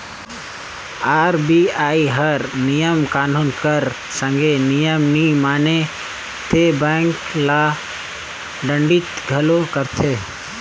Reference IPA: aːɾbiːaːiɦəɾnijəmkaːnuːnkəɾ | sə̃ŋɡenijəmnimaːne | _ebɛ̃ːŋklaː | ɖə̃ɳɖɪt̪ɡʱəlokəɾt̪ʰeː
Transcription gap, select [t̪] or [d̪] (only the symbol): t̪